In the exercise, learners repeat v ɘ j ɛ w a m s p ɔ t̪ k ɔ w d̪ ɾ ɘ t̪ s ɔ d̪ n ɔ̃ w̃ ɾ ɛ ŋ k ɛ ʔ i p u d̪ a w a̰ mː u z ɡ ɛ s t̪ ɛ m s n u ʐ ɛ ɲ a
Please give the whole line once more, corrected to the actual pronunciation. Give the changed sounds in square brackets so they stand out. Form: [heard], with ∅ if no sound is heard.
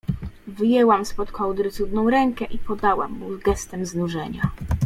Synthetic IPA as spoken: v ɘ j ɛ w a m s p ɔ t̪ k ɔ w d̪ ɾ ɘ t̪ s [u] d̪ n ɔ̃ w̃ ɾ ɛ ŋ k ɛ ʔ i p [ɔ] d̪ a w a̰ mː u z ɡ ɛ s t̪ ɛ m [z] n u ʐ ɛ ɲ a